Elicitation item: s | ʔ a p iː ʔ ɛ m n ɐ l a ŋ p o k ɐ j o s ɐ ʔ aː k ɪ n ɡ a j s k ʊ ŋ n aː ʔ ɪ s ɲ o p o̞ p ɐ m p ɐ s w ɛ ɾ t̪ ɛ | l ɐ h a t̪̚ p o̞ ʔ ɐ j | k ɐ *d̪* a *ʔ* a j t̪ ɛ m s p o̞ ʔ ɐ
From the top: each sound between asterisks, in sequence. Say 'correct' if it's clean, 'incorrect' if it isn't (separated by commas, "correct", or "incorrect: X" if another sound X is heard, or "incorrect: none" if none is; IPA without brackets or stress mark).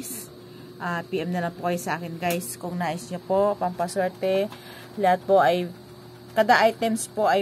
correct, correct